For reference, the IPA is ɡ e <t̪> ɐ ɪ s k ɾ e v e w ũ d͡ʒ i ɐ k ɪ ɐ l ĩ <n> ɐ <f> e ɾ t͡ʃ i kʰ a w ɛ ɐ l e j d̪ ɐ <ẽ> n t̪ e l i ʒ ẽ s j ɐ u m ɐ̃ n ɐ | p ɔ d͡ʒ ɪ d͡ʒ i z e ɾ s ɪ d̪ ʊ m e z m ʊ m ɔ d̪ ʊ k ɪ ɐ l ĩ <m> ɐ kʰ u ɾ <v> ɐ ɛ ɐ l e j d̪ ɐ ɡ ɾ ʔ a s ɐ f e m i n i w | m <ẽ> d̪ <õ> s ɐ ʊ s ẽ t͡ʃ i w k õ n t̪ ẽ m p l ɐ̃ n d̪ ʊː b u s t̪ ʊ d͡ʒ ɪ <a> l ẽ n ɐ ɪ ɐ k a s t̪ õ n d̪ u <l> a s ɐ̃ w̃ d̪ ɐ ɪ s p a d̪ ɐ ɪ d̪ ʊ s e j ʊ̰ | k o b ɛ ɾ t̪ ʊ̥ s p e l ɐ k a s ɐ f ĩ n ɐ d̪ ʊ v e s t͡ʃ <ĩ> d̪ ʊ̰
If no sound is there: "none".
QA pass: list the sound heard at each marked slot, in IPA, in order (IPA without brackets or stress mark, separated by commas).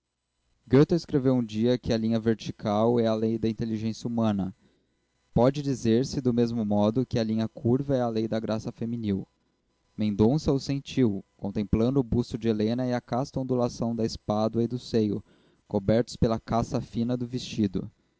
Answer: t̪, ɲ, v, ĩ, ɲ, v, ẽ, õ, e, l, i